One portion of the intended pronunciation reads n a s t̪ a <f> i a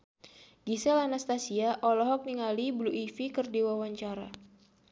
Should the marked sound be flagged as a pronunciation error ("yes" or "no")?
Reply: yes